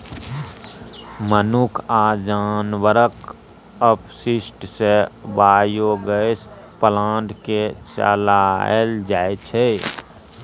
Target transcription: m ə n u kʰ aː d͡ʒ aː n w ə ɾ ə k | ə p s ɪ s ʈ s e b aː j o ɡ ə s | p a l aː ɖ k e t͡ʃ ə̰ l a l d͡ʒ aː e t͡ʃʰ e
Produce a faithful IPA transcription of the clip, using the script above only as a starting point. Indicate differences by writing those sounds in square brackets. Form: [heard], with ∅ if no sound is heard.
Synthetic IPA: m ə n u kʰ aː d͡ʒ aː n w ə ɾ ə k | ə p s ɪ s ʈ s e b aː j o ɡ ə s | p [ə] l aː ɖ k e t͡ʃ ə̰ l a l d͡ʒ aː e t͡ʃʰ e